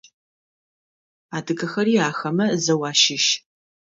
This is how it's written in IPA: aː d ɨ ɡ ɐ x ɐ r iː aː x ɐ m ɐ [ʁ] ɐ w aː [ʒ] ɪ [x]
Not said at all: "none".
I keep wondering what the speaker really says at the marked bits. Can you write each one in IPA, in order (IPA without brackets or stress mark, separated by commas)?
z, ʃ, ʃ